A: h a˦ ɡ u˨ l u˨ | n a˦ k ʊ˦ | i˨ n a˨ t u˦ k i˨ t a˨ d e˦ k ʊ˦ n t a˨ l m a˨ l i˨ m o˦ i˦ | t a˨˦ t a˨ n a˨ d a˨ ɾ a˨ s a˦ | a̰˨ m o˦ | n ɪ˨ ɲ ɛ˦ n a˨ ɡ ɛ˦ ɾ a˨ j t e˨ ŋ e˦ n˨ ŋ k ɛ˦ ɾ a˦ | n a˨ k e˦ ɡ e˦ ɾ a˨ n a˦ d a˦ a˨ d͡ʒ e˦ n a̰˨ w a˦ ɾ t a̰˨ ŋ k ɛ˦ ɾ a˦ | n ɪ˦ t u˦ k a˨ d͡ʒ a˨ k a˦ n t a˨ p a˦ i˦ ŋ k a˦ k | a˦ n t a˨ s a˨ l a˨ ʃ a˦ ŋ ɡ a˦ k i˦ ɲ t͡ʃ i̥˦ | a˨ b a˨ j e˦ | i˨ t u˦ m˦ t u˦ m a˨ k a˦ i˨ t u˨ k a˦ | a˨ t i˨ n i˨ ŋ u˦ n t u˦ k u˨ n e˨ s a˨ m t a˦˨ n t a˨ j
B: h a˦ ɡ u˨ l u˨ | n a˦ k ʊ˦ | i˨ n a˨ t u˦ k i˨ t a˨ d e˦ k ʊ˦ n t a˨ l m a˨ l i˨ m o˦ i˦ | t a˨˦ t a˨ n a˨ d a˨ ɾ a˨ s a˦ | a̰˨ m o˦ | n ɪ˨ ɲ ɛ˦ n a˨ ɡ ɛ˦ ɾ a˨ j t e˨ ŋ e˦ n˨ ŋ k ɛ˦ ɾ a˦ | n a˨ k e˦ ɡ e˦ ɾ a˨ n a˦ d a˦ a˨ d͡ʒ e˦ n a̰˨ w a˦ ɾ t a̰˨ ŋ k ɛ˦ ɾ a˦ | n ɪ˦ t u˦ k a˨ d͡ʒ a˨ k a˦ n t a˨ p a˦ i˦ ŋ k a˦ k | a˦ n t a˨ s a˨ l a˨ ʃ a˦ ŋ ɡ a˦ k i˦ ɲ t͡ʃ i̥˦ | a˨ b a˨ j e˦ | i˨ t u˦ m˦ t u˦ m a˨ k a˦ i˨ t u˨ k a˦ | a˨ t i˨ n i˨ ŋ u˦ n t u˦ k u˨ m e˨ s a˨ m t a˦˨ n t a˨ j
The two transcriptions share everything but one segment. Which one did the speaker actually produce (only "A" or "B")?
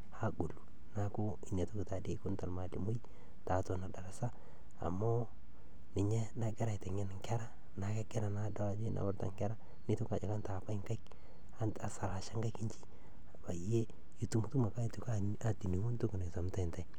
A